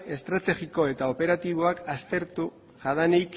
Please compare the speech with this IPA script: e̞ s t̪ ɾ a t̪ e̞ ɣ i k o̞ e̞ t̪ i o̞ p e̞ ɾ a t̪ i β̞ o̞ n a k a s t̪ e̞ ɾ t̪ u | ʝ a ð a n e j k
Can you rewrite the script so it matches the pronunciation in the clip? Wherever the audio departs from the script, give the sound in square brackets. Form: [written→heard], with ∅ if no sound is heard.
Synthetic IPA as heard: e̞ s t̪ ɾ a t̪ e̞ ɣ i k o̞ e̞ t̪ [i→a] o̞ p e̞ ɾ a t̪ i β̞ o̞ [n→∅] a k a s t̪ e̞ ɾ t̪ u | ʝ a ð a n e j k